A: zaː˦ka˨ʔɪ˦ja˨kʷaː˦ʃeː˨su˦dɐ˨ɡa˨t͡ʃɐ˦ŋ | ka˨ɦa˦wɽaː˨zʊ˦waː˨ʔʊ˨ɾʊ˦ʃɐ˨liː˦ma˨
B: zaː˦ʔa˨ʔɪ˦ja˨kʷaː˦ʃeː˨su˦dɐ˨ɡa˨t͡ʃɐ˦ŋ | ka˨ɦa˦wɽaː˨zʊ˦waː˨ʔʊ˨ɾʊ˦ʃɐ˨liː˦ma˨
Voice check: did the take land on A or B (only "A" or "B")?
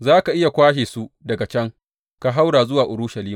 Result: A